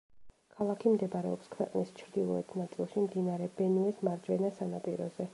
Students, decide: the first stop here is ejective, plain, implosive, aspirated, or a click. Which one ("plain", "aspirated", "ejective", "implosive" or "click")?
aspirated